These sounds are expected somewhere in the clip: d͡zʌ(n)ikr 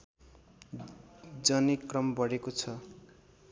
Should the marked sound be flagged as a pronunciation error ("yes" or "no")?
no